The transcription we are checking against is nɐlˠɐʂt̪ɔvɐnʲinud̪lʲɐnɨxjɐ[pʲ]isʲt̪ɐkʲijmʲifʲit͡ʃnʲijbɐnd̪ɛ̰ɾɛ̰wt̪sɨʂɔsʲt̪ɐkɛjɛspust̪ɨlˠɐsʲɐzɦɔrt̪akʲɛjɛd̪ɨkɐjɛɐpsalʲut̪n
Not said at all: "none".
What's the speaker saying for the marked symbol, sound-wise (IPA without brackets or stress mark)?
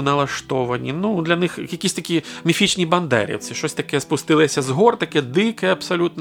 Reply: kʲ